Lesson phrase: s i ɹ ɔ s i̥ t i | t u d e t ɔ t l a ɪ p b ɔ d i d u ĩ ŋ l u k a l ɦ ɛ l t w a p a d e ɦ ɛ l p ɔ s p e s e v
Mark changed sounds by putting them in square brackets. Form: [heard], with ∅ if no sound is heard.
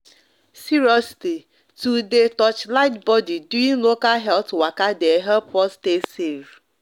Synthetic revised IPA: s i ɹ ɔ s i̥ t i | t u d e t ɔ [t͡ʃ] l a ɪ [t] b ɔ d i d u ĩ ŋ l [o] k a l ɦ ɛ l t w a [k] a d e ɦ ɛ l p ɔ s [t] e s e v